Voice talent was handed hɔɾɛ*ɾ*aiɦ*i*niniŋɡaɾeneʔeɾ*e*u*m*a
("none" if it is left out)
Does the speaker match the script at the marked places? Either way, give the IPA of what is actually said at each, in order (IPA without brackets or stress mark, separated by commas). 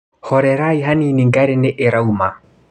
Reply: ɾ, a, a, m